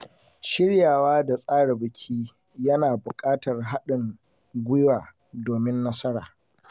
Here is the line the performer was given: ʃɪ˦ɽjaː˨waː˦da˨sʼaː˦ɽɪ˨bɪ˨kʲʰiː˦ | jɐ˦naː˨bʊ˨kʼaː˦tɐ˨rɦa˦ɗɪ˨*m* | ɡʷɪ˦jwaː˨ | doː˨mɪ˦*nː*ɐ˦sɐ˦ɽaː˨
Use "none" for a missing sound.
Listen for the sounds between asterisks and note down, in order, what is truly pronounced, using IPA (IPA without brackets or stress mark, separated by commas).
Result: ŋ, nː